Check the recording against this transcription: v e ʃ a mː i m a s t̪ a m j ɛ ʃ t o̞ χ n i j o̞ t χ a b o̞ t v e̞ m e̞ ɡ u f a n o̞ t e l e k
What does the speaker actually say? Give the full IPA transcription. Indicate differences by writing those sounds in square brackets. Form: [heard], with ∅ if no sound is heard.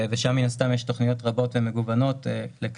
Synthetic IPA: v e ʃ a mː i [n] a s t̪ a m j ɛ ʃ t o̞ χ n i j o̞ t [ʁ] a b o̞ t v e̞ m e̞ ɡ u [v] a n o̞ t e l e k